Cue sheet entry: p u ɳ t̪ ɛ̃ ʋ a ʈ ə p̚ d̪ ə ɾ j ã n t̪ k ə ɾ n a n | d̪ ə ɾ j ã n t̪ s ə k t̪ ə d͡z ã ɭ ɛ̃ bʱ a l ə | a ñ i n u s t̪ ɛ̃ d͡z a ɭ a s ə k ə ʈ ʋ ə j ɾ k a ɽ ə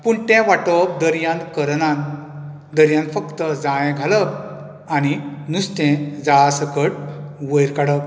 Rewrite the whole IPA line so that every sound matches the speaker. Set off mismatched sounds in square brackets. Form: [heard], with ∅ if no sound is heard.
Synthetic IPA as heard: p u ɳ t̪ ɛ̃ ʋ a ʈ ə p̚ d̪ ə ɾ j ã n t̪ k ə ɾ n a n | d̪ ə ɾ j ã n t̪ [f] ə k t̪ ə d͡z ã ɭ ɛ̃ [ɡʱ] a l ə | a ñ i n u s t̪ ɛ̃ d͡z a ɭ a s ə k ə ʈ ʋ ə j ɾ k a ɽ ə

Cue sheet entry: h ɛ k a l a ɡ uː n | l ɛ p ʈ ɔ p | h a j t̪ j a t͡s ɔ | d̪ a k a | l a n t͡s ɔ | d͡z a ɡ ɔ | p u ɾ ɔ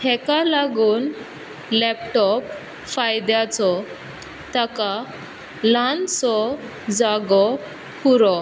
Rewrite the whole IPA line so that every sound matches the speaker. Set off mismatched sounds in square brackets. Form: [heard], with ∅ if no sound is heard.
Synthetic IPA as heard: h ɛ k a l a ɡ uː n | l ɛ p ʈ ɔ p | [f] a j [d̪] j a t͡s ɔ | [t̪] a k a | l a n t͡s ɔ | d͡z a ɡ ɔ | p u ɾ ɔ

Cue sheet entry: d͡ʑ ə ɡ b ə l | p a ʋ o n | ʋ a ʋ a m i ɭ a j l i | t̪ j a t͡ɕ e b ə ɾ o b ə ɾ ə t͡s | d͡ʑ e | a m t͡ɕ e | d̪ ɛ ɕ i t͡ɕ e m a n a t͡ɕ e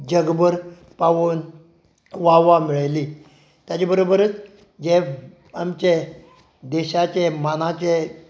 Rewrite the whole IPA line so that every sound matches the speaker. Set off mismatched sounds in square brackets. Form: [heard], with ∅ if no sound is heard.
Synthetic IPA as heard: d͡ʑ ə ɡ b ə [ɾ] | p a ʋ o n | ʋ a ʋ a m i ɭ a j l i | t̪ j a t͡ɕ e b ə ɾ o b ə ɾ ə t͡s | d͡ʑ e | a m t͡ɕ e | d̪ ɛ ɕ [a] t͡ɕ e m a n a t͡ɕ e

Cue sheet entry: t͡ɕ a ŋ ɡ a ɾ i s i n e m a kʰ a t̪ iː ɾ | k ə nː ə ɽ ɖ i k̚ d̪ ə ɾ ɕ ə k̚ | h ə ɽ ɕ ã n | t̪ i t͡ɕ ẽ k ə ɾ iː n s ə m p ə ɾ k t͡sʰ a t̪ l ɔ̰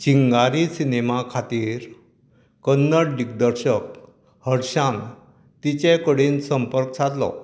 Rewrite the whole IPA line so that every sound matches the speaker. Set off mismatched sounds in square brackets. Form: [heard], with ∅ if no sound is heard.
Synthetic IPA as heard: t͡ɕ [i] ŋ ɡ a ɾ i s i n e m a kʰ a t̪ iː ɾ | k ə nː ə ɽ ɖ i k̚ d̪ ə ɾ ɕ ə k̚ | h ə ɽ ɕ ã n | t̪ i t͡ɕ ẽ k ə [ɽ] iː n s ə m p ə ɾ k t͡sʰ a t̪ l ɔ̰

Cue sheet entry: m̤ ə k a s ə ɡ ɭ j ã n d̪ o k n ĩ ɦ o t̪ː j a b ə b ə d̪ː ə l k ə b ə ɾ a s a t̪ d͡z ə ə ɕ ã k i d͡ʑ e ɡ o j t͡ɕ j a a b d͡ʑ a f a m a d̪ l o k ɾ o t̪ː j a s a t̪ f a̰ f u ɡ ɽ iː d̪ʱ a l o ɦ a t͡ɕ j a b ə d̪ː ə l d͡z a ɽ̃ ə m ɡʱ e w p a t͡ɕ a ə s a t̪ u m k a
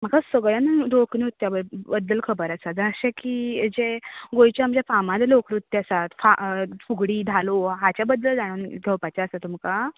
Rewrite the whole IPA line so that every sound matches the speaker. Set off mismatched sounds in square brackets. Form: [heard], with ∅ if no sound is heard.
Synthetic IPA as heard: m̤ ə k a s ə ɡ ɭ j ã n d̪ o k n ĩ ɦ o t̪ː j a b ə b ə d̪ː ə l [kʰ] ə b ə ɾ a s a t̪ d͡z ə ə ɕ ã k i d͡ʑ e ɡ o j t͡ɕ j a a [m] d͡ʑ a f a m a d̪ l o k ɾ [u] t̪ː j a s a t̪ f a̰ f u ɡ ɽ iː d̪ʱ a l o ɦ a t͡ɕ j a b ə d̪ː ə l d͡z a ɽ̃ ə [n] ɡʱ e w p a t͡ɕ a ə s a t̪ u m k a

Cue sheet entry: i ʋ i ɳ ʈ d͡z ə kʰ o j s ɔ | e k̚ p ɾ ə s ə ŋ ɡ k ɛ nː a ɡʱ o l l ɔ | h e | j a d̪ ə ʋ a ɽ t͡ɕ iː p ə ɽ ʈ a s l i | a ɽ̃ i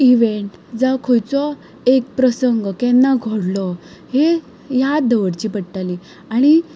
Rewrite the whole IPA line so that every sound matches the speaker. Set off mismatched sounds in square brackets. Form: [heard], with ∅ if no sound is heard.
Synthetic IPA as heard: i ʋ [e] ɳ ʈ d͡z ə kʰ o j [t͡s] ɔ | e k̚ p ɾ ə s ə ŋ ɡ k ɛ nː a ɡʱ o [ɽ] l ɔ | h e | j a d̪ ə ʋ [ə] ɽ t͡ɕ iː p ə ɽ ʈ a [∅] l i | a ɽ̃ i

